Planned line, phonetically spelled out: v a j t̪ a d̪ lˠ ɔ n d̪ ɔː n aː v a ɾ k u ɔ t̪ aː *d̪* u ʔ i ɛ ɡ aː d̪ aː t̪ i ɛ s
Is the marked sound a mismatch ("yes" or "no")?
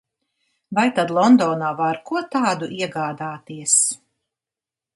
no